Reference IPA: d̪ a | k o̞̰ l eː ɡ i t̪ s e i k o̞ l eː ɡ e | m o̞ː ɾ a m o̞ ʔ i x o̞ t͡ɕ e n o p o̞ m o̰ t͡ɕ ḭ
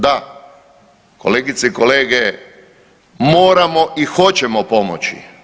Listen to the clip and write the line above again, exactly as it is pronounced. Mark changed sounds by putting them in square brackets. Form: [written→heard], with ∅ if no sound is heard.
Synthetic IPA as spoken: d̪ a | k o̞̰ l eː ɡ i t̪ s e i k o̞ l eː ɡ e | m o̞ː ɾ a m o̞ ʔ i x o̞ t͡ɕ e [n→m] o p o̞ m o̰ t͡ɕ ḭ

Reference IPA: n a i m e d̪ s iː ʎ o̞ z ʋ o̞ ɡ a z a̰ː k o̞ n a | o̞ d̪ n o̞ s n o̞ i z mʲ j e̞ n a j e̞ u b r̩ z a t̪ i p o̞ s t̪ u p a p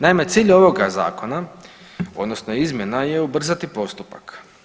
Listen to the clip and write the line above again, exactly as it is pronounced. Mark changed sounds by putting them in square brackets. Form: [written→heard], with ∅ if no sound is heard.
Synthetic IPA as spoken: n a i m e [d̪→t̪] s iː ʎ o̞ [z→∅] ʋ o̞ ɡ a z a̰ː k o̞ n a | o̞ d̪ n o̞ s n o̞ i z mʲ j e̞ n a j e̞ u b r̩ z a t̪ i p o̞ s t̪ u p a [p→k]

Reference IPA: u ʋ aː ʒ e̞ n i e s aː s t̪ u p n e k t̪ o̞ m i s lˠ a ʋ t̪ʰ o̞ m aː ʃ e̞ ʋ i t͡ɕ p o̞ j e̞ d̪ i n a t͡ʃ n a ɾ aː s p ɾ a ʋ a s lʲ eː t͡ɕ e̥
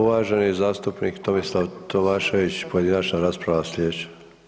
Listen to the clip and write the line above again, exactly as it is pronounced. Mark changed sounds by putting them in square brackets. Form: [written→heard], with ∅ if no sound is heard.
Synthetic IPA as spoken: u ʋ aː ʒ e̞ n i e [s→z] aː s t̪ u p n [e→i] k t̪ o̞ m i s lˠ a ʋ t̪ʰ o̞ m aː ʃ e̞ ʋ i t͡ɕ p o̞ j e̞ d̪ i n a t͡ʃ n a ɾ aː s p ɾ a ʋ a s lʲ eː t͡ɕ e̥

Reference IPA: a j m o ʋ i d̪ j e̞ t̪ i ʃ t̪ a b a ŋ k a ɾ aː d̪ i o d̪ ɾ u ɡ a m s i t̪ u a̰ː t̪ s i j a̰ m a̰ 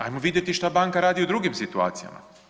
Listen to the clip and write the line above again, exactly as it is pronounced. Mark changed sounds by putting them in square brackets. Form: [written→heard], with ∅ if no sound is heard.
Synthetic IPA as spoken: a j m o ʋ i d̪ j e̞ t̪ i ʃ t̪ a b a ŋ k a ɾ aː d̪ i [o→u] d̪ ɾ u ɡ [a→i] m s i t̪ u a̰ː t̪ s i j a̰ m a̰

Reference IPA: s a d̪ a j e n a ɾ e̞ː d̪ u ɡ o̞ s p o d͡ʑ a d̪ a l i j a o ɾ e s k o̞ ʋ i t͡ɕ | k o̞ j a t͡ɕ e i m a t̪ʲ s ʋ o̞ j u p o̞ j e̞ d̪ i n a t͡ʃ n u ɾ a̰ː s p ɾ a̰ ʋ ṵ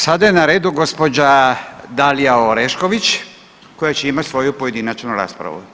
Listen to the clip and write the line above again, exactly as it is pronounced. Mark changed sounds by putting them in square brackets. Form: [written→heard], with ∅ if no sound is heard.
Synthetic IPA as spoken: s a d̪ a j e n a ɾ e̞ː d̪ u ɡ o̞ s p o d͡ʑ a d̪ a l i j a o ɾ e [s→ʃ] k o̞ ʋ i t͡ɕ | k o̞ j a t͡ɕ e i m a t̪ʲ s ʋ o̞ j u p o̞ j e̞ d̪ i n a t͡ʃ n u ɾ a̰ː s p ɾ a̰ ʋ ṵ

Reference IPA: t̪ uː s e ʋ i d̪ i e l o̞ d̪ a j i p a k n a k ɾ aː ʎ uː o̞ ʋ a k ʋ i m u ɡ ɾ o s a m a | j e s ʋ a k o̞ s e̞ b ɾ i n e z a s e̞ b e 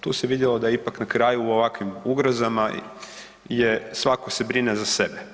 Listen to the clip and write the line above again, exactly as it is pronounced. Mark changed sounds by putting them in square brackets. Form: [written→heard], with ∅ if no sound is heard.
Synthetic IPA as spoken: t̪ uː s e ʋ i d̪ [i→j] e l o̞ d̪ a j i p a k n a k ɾ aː [ʎ→j] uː o̞ ʋ a k ʋ i m u ɡ ɾ o [s→z] a m a | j e s ʋ a k o̞ s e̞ b ɾ i n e z a s e̞ b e

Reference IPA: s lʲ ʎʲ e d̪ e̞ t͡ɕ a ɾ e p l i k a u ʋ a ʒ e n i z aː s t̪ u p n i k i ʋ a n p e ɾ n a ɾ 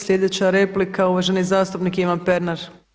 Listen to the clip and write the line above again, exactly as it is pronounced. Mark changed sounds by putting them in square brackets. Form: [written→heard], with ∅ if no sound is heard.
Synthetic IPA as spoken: s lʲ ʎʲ e d̪ e̞ t͡ɕ a ɾ e p l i k a u ʋ a ʒ e n i z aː s t̪ u p n i k i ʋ a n p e ɾ n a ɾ

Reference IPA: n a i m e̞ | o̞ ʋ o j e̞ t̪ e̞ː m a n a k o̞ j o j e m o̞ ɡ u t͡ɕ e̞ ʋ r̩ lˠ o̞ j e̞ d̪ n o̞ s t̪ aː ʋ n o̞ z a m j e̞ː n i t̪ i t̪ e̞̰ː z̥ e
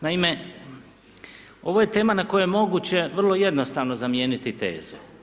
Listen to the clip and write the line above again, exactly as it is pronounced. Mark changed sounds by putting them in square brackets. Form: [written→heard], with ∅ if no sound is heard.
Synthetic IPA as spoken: n a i m e̞ | o̞ ʋ o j e̞ t̪ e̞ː m a n a k o̞ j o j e m o̞ ɡ u t͡ɕ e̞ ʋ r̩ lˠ o̞ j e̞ d̪ n o̞ s t̪ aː ʋ n o̞ z a m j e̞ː n i t̪ i t̪ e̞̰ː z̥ e

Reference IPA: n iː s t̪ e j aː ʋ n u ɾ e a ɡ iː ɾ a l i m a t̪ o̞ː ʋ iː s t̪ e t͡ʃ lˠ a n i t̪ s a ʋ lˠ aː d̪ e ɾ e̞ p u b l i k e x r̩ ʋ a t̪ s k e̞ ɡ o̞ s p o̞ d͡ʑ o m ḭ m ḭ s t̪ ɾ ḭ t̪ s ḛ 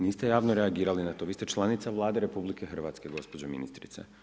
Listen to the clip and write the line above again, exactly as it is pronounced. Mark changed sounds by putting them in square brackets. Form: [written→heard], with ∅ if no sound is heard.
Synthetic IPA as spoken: n iː s t̪ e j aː ʋ n [u→o] ɾ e a ɡ iː ɾ a l i [m→n] a t̪ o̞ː ʋ iː s t̪ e t͡ʃ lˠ a n i t̪ s a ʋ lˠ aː d̪ e ɾ e̞ p u b l i k e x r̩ ʋ a t̪ s k e̞ ɡ o̞ s p o̞ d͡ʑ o m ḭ [m→n] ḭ s t̪ ɾ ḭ t̪ s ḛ

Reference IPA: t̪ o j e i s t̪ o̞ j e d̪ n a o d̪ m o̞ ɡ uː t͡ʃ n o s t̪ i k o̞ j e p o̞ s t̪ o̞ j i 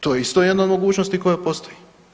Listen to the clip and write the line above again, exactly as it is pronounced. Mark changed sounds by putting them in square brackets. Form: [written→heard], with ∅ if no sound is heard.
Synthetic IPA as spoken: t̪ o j e i s t̪ o̞ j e d̪ n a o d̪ m o̞ ɡ uː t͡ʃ n o s t̪ i k o̞ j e p o̞ s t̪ o̞ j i

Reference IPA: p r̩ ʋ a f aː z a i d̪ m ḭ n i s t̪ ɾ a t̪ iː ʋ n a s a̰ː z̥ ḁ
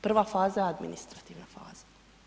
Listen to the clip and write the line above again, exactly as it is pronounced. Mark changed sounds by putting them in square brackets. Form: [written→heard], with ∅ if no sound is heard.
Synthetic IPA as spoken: p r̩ ʋ a f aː z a [i→a] d̪ m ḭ n i s t̪ ɾ a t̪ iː ʋ n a [s→f] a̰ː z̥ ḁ

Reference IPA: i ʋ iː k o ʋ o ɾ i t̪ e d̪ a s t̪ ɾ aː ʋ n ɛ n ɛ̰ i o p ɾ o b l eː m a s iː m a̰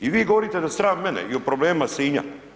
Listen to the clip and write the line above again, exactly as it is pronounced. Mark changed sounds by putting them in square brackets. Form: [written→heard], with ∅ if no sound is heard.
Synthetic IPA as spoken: i ʋ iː [k→ɡ] o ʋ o ɾ i t̪ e d̪ a s t̪ ɾ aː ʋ [n→m] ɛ n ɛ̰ i o p ɾ o b l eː m a s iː [m→ɲ] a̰

